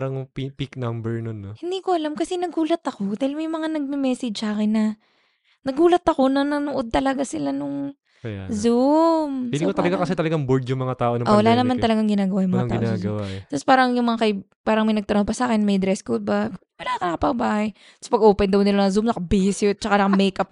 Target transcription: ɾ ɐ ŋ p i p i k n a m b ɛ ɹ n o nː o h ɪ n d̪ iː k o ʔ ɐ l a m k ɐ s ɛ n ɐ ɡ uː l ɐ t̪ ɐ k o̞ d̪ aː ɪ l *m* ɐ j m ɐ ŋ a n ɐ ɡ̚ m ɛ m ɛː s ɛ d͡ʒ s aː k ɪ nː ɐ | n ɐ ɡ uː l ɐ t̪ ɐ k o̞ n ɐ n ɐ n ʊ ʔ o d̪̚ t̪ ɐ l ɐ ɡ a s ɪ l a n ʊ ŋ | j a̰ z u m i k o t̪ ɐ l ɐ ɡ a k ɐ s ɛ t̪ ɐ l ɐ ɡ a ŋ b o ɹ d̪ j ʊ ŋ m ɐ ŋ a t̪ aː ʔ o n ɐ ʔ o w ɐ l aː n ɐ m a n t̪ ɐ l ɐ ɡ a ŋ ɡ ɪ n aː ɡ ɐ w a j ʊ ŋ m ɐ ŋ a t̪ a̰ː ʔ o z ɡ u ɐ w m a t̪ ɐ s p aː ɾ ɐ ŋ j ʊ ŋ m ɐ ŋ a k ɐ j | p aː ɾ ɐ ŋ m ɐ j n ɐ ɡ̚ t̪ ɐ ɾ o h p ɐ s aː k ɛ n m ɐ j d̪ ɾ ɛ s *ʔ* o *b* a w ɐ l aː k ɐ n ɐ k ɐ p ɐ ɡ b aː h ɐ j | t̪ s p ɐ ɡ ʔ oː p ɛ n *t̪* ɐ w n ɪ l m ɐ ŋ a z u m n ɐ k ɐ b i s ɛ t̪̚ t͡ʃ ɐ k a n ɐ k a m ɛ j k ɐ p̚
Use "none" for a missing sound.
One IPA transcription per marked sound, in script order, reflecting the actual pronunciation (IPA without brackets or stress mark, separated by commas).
m, k, b, d̪